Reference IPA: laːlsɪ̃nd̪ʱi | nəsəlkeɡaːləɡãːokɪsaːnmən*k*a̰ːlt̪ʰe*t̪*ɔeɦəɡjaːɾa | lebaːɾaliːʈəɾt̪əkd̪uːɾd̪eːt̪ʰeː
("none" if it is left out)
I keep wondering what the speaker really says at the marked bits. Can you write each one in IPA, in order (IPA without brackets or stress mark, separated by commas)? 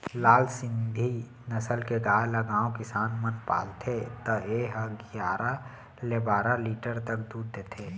p, t̪